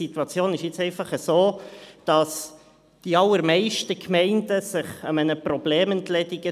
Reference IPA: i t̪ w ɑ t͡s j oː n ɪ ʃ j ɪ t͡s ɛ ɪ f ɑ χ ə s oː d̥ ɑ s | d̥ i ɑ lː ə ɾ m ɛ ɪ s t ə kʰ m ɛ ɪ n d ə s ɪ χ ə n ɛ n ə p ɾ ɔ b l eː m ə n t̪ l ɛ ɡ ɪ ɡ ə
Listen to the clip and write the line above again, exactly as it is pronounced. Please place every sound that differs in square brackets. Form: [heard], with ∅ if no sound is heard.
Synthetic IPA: i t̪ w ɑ t͡s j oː n ɪ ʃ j ɪ t͡s ɛ ɪ f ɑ χ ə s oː d̥ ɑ s | d̥ i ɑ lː ə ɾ m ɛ ɪ [ʃ] t ə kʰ m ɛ ɪ n d ə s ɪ χ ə [m] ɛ n ə p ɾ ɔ b l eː m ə n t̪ l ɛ [d] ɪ ɡ ə